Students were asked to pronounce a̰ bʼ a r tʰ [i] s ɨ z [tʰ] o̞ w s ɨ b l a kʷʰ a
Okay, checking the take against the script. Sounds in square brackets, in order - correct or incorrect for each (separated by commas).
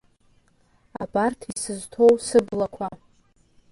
correct, correct